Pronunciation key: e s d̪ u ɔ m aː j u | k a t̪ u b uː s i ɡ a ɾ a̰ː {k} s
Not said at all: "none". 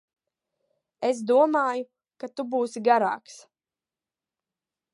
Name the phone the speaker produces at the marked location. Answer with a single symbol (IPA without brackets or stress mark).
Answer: k